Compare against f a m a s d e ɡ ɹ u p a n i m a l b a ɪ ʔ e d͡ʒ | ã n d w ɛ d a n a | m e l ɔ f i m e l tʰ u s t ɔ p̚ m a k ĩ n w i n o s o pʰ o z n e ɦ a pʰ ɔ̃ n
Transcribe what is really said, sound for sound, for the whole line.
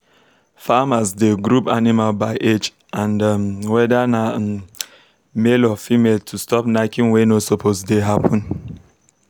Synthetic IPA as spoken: f a m a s d e ɡ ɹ u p a n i m a l b a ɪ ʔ e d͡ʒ | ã n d w ɛ d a n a | m e l ɔ f i m e l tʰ u s t ɔ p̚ n a k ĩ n w e n o s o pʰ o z d e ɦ a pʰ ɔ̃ n